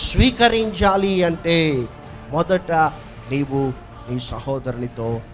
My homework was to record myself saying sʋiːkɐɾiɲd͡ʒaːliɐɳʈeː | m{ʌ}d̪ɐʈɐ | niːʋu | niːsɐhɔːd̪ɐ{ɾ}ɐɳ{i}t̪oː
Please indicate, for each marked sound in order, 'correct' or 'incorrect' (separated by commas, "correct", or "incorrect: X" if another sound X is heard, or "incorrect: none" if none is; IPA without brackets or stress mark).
incorrect: ɔ, correct, correct